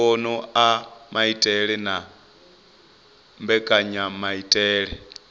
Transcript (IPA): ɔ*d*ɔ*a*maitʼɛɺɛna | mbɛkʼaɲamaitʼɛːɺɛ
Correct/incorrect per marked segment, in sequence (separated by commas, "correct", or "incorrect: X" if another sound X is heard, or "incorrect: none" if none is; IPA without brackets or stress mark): incorrect: n, correct